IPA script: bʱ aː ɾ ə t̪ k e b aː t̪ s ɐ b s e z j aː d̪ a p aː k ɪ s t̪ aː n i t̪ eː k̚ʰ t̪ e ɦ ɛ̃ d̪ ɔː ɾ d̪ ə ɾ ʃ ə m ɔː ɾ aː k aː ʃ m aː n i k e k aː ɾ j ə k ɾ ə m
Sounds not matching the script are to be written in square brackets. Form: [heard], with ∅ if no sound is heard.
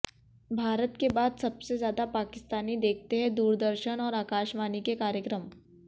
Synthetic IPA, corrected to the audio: bʱ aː ɾ ə t̪ k e b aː [d̪] s ɐ b s e z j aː d̪ a p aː k ɪ s t̪ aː n i [d̪] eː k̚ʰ t̪ e ɦ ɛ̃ d̪ [uː] ɾ d̪ ə ɾ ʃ ə [n] ɔː ɾ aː k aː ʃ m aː n i k e k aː ɾ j ə k ɾ ə m